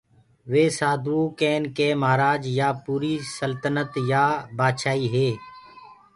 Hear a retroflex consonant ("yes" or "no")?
no